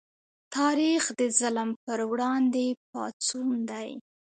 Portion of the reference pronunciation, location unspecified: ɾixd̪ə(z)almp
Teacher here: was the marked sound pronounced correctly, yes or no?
yes